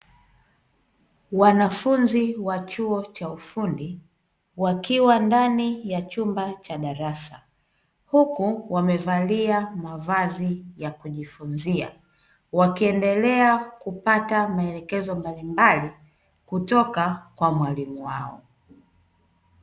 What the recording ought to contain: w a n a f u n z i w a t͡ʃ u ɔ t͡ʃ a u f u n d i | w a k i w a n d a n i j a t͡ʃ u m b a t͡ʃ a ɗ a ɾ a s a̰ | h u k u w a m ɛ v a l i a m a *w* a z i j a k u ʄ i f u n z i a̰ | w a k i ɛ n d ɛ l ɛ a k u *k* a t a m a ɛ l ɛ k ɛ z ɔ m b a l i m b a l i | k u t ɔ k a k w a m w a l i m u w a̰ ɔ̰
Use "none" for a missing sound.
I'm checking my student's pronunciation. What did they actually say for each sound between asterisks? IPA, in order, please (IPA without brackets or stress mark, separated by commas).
v, p